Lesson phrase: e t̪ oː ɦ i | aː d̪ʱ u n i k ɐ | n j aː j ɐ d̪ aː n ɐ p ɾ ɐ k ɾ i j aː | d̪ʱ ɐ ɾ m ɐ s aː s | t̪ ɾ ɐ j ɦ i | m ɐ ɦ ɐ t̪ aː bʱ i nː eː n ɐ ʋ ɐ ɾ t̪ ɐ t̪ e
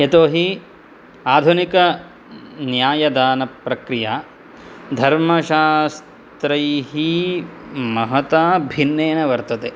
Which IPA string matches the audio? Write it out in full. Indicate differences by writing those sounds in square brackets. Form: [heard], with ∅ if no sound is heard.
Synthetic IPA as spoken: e t̪ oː ɦ i | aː d̪ʱ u n i k ɐ | n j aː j ɐ d̪ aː n ɐ p ɾ ɐ k ɾ i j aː | d̪ʱ ɐ ɾ m ɐ [ʃ] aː s | t̪ ɾ ɐ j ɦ i | m ɐ ɦ ɐ t̪ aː bʱ i nː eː n ɐ ʋ ɐ ɾ t̪ ɐ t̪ e